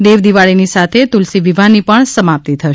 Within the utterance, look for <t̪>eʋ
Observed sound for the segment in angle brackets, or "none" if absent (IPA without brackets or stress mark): d̪